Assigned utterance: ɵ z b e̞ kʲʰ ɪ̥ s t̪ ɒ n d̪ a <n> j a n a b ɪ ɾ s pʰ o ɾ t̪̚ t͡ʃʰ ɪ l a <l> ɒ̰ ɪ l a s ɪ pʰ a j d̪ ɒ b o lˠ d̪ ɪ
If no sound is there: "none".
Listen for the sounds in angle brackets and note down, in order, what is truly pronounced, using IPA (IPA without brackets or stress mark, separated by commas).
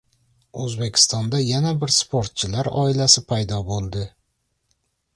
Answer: none, ɾ